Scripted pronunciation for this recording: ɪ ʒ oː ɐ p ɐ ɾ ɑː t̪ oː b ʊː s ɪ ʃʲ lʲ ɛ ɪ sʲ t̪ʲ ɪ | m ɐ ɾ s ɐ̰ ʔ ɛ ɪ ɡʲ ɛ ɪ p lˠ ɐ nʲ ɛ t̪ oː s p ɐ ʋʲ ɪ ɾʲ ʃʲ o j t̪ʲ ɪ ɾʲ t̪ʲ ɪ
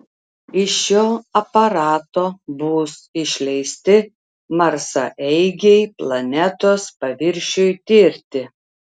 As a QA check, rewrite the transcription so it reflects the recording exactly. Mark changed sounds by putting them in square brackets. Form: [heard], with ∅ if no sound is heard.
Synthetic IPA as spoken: ɪ [ʃ] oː ɐ p ɐ ɾ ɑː t̪ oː b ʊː s ɪ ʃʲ lʲ ɛ ɪ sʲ t̪ʲ ɪ | m ɐ ɾ s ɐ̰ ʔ ɛ ɪ ɡʲ ɛ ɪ p lˠ ɐ nʲ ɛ t̪ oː s p ɐ ʋʲ ɪ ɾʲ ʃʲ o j t̪ʲ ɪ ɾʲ t̪ʲ ɪ